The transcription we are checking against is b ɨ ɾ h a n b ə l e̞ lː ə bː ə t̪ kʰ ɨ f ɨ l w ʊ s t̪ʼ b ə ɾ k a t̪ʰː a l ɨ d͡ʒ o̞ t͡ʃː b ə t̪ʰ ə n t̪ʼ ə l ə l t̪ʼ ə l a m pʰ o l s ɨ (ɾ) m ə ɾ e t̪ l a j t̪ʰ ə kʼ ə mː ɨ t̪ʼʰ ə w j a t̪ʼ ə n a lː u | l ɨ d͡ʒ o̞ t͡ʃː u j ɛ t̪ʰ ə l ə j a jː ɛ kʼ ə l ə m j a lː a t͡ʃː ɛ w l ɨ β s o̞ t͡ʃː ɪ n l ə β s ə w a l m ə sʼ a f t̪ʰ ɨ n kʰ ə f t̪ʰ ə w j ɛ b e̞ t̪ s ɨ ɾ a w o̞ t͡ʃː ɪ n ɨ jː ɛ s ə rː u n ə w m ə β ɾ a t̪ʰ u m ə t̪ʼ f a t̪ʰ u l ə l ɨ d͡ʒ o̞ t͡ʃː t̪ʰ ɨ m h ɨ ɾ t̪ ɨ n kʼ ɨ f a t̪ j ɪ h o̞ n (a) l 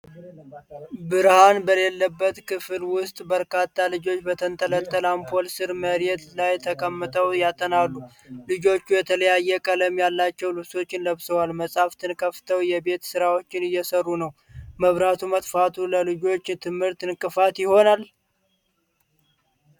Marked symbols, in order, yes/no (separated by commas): yes, yes